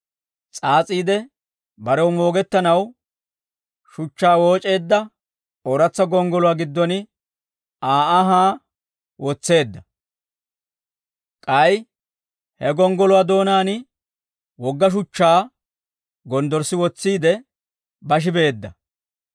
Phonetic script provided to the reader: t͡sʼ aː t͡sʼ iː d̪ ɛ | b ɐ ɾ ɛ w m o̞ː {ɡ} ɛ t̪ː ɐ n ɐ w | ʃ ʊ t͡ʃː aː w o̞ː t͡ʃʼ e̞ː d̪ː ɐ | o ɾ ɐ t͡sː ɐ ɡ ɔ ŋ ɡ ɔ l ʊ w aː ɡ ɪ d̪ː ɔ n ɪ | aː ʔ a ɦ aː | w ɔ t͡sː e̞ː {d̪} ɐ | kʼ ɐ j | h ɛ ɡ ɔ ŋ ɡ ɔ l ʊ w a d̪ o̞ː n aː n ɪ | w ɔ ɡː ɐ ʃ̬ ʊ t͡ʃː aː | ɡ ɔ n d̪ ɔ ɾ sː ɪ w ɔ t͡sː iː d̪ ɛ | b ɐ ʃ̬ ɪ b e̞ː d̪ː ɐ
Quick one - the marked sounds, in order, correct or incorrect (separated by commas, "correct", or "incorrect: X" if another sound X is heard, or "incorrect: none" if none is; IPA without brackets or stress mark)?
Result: correct, incorrect: d̪ː